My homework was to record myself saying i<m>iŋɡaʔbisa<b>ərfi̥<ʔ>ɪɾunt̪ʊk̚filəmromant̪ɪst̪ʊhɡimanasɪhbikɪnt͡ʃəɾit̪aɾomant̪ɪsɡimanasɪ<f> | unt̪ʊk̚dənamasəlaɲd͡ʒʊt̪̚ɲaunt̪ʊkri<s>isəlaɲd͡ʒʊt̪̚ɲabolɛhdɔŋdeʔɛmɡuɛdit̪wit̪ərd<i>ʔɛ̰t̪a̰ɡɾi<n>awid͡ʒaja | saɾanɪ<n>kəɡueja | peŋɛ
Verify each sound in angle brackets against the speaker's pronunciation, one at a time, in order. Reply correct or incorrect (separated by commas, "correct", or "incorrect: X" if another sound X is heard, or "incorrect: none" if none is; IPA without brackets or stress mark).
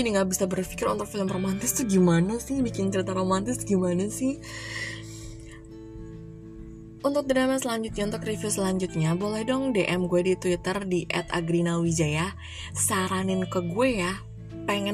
incorrect: n, correct, incorrect: k, incorrect: h, incorrect: f, correct, correct, correct